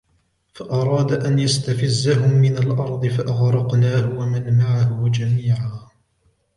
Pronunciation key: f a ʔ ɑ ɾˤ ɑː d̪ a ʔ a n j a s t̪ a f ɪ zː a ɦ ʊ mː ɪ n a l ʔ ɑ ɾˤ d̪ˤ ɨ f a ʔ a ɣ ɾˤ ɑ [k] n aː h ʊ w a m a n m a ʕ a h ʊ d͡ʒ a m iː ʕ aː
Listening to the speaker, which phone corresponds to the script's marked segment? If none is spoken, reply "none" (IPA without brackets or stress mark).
q